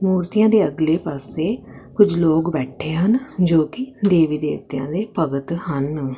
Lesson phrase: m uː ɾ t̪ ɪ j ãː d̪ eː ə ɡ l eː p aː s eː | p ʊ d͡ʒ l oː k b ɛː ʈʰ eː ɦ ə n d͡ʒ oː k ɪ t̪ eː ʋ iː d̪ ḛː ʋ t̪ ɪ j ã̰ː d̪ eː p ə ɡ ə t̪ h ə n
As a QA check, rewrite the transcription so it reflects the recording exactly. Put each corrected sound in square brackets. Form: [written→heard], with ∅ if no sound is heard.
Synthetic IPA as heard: m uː ɾ t̪ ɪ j ãː d̪ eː ə ɡ l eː p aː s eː | [p→k] ʊ d͡ʒ l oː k b ɛː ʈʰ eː ɦ ə n d͡ʒ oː k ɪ [t̪→d̪] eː ʋ iː d̪ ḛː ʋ t̪ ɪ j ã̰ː d̪ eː p ə ɡ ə t̪ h ə n